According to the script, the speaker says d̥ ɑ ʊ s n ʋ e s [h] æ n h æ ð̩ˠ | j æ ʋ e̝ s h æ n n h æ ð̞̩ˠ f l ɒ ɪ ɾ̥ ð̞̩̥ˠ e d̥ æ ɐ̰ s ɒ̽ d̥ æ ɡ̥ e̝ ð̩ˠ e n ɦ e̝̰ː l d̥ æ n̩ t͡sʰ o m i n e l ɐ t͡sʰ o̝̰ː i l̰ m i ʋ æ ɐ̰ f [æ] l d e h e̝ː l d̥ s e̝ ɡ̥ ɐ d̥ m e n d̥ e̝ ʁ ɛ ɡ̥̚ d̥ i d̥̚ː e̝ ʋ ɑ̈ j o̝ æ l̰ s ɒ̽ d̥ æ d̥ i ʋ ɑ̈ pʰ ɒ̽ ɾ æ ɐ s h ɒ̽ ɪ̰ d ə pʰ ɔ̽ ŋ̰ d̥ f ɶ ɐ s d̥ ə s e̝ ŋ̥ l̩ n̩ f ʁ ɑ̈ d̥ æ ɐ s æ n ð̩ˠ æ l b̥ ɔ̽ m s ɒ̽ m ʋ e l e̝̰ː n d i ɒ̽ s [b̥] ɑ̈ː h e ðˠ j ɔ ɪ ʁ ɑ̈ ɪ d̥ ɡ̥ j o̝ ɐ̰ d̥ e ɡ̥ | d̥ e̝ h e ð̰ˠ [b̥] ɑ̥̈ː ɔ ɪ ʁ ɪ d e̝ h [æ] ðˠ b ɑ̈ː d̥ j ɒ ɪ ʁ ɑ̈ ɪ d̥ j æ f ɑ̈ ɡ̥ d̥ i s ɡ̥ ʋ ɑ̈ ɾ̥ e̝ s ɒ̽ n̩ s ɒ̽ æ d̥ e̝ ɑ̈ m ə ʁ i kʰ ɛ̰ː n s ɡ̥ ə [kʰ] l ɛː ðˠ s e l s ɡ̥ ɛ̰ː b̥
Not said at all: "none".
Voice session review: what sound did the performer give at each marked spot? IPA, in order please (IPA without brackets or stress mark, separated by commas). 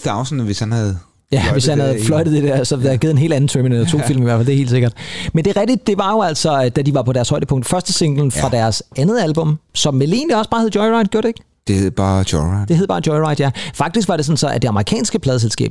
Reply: h, æ, b̥, b̥, e, pʰ